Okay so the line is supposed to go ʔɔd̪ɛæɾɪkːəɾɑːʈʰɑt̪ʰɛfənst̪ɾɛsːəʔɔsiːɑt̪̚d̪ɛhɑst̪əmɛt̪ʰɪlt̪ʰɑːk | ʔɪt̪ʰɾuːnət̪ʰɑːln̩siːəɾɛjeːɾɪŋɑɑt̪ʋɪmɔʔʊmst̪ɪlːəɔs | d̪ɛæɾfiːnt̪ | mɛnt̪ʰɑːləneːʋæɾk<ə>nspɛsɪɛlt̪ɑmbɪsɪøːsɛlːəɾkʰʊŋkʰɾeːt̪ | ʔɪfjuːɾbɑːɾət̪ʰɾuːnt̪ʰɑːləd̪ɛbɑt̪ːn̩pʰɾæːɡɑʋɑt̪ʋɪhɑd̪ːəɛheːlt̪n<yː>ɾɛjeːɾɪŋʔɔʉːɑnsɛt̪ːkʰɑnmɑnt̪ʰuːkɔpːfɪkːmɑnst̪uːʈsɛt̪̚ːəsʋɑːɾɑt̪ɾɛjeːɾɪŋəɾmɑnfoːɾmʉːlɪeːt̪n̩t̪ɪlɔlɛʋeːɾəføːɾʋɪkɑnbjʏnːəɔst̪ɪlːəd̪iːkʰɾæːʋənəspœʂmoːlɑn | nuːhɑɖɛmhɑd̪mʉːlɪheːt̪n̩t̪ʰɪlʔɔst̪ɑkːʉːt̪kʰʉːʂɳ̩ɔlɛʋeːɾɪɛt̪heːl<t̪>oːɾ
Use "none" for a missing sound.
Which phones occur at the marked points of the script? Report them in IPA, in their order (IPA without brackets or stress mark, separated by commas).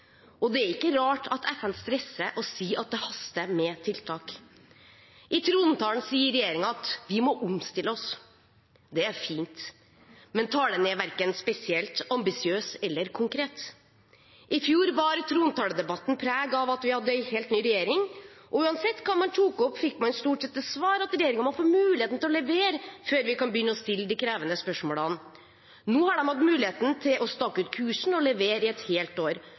ə, yː, t̪